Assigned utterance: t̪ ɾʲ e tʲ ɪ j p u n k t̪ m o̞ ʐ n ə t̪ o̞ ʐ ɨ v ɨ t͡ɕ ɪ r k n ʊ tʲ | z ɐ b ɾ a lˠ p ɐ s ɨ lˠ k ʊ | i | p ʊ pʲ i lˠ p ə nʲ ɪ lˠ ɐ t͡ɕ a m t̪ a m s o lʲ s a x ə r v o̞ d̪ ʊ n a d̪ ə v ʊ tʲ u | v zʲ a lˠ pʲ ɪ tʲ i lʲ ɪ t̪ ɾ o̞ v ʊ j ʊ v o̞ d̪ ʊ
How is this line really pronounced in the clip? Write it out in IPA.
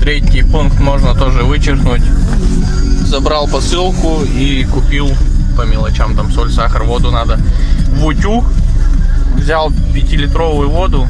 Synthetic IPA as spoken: t̪ ɾʲ e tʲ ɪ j p u n k t̪ m o̞ ʐ n ə t̪ o̞ ʐ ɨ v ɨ t͡ɕ ɪ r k n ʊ tʲ | z ɐ b ɾ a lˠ p ɐ s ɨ lˠ k ʊ | i | k ʊ pʲ i lˠ p ə mʲ ɪ lˠ ɐ t͡ɕ a m t̪ a m s o lʲ s a x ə r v o̞ d̪ ʊ n a d̪ ə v ʊ tʲ u | v zʲ a lˠ pʲ ɪ tʲ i lʲ ɪ t̪ ɾ o̞ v ʊ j ʊ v o̞ d̪ ʊ